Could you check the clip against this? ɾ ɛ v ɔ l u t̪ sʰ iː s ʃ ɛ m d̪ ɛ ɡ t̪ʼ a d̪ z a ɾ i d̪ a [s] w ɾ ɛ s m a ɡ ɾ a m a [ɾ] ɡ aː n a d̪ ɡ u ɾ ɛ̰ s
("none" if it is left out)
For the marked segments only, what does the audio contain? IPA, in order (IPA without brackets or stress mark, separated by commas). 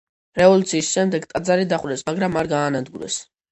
χ, ɾ